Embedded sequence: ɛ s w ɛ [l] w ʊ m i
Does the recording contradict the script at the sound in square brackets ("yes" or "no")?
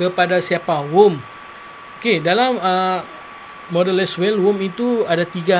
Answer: no